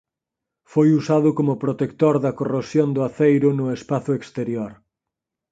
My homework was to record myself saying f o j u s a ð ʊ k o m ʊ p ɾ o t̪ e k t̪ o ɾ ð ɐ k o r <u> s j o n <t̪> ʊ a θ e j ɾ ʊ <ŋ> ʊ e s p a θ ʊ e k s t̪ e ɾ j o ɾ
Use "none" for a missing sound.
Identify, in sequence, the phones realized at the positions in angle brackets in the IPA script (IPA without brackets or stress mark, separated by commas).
o, d̪, n